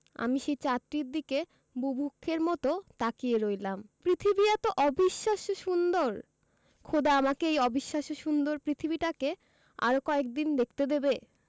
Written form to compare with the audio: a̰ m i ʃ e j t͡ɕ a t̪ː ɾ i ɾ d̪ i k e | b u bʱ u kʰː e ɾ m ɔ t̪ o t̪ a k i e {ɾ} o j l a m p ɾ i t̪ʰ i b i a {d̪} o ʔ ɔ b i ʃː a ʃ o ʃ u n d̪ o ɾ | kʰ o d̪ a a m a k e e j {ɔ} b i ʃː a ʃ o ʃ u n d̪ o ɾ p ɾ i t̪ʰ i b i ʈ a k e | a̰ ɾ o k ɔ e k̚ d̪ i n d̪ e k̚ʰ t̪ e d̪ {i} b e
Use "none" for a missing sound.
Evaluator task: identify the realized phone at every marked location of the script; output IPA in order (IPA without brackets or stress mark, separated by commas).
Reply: ɾ, t̪, ɔ, e